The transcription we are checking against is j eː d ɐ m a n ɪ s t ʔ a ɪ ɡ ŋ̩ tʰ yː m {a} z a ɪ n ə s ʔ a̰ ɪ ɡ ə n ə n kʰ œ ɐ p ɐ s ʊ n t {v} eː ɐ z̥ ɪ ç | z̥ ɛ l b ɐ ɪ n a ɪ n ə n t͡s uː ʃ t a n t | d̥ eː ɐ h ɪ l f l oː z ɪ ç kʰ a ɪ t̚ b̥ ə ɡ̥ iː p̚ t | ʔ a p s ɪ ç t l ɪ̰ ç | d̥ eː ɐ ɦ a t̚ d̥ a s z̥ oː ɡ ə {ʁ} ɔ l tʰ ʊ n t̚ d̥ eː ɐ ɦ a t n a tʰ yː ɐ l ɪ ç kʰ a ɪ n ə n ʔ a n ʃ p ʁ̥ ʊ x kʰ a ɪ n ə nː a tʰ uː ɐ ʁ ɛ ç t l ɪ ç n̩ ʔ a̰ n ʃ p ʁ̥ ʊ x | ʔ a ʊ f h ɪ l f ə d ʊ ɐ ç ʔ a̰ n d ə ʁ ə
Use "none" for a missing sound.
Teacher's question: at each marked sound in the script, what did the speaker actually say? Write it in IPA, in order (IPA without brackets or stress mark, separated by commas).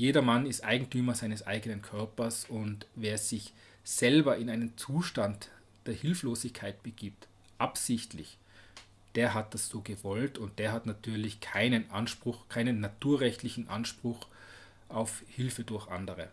ɐ, v, v